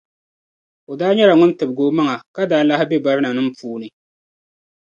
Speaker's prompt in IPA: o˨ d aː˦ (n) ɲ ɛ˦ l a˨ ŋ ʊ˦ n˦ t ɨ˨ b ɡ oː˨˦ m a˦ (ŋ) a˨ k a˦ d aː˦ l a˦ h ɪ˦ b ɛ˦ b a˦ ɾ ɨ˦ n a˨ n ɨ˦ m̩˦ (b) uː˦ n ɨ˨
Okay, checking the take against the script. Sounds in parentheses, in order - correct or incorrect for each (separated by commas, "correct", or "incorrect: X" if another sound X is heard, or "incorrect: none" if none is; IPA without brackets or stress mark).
incorrect: none, correct, incorrect: p